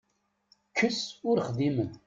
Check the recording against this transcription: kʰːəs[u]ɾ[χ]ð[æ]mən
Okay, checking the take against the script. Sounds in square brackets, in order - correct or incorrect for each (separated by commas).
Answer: incorrect, correct, incorrect